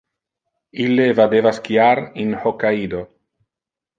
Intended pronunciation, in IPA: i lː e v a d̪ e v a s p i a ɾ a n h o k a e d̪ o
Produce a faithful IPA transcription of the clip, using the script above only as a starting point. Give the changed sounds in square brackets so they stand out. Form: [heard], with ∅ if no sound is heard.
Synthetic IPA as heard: i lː e v a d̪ e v a s [k] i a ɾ [i] n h o k a [i] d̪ o

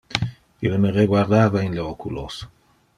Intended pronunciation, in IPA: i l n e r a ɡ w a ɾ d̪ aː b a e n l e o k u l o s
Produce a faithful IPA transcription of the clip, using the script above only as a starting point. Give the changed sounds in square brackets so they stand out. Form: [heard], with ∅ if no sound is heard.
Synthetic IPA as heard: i l [m] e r [e] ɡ w a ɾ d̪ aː [v] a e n l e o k u l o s

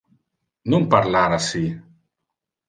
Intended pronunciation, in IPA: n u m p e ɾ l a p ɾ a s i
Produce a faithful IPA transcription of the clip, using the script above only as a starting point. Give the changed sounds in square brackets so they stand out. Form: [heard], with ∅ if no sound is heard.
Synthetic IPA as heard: n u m p [a] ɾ l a [∅] ɾ a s i

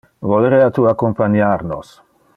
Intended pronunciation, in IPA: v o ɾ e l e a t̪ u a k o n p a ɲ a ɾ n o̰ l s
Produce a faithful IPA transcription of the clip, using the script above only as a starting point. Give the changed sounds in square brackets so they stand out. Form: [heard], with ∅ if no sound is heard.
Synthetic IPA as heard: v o [l] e [ɾ] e a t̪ u a k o [m] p a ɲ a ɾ n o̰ [∅] s

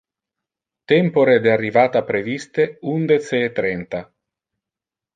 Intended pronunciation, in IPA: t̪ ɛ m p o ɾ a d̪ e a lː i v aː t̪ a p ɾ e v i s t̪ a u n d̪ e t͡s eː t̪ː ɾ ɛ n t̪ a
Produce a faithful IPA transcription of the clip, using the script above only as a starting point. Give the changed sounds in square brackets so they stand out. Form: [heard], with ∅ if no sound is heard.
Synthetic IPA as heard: t̪ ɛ m p o ɾ [e] d̪ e a [rː] i v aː t̪ a p ɾ e v i s t̪ [e] u n d̪ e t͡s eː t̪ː ɾ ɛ n t̪ a

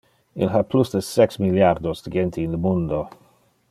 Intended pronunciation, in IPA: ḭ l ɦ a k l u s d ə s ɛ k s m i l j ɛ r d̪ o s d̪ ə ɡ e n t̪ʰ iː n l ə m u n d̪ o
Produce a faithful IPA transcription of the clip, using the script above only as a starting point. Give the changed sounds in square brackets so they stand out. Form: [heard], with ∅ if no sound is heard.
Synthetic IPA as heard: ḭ l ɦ a [p] l u s d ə s ɛ k s m i l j [a] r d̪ o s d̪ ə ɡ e n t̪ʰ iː n l ə m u n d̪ o

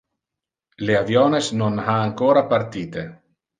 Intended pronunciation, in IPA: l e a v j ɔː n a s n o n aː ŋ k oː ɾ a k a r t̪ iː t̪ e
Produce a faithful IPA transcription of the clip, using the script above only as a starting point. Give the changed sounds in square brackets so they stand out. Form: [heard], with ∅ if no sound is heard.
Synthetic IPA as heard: l e a v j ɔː n [e] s n o n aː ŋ k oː ɾ a [p] a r t̪ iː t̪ e

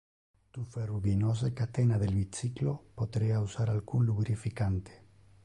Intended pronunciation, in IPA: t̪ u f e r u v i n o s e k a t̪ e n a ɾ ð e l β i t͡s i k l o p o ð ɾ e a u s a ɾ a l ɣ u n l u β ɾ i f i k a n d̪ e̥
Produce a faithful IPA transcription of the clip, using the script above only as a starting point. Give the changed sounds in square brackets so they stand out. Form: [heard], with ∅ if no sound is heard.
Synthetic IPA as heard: t̪ u f e r u [β] i n o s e k a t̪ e n a [∅] ð e l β i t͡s i k l o p o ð ɾ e a u s a ɾ a l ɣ u n l u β ɾ i f i k a n [t̪] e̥

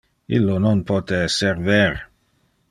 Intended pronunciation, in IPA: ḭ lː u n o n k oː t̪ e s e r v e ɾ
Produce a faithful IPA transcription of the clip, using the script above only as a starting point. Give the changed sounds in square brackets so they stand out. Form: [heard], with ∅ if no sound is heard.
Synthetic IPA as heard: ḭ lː [o] n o n [p] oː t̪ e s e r v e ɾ

